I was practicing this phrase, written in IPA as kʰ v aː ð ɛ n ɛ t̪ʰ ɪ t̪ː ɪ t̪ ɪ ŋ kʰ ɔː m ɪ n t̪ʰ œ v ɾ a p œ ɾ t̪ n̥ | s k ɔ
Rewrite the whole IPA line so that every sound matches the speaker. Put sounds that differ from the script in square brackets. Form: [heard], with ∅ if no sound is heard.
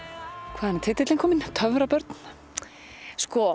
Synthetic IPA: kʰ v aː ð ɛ n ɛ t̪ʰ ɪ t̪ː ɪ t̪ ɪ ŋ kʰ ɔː m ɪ n t̪ʰ œ v ɾ a p œ ɾ t̪ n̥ | s k ɔ